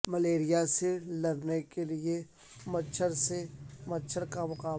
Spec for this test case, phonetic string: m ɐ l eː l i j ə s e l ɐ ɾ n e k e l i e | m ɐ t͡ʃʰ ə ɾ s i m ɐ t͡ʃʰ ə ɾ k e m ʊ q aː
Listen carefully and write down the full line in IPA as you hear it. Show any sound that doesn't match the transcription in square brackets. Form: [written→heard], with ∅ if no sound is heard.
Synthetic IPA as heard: m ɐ l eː [l→ɾ] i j [ə→a] s e l ɐ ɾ n e k e l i e | m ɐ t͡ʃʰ ə ɾ s [i→e] m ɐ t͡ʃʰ ə ɾ k [e→a] m ʊ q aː